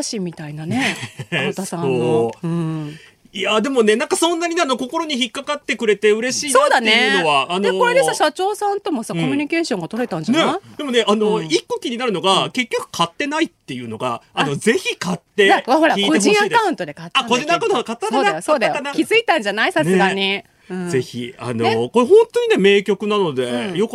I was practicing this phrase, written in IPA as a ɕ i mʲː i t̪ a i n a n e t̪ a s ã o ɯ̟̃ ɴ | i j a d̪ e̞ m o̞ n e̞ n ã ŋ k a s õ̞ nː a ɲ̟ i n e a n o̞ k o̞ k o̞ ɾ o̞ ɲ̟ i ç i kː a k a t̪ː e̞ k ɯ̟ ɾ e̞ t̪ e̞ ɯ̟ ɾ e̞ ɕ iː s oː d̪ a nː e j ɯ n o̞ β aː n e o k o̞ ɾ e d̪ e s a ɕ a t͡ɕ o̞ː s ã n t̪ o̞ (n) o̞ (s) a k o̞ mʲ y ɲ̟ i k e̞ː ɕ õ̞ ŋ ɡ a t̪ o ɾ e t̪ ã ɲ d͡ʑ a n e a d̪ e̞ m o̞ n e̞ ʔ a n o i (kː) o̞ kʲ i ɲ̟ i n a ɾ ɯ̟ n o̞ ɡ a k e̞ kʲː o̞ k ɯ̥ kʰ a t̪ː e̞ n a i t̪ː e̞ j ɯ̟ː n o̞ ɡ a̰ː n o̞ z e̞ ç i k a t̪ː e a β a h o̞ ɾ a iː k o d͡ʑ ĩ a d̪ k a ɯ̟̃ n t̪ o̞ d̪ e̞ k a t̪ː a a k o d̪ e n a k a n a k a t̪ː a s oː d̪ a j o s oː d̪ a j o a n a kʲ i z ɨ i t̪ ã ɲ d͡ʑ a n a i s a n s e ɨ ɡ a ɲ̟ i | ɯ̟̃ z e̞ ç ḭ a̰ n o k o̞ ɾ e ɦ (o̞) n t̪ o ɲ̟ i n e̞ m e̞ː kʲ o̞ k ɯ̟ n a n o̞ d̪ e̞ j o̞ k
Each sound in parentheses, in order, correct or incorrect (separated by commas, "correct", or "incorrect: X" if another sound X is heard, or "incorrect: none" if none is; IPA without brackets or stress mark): incorrect: m, correct, correct, incorrect: õ̞